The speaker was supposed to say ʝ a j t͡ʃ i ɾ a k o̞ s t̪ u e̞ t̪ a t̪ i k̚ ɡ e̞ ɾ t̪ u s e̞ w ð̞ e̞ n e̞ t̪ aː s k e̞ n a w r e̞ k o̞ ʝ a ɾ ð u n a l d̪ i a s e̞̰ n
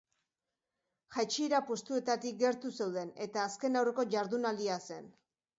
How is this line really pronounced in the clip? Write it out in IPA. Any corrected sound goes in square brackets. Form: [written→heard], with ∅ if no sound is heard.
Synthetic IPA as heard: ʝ a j t͡ʃ i ɾ a [k→p] o̞ s t̪ u e̞ t̪ a t̪ i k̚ ɡ e̞ ɾ t̪ u s e̞ w ð̞ e̞ n e̞ t̪ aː s k e̞ n a w r e̞ k o̞ ʝ a ɾ ð u n a l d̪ i a s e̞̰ n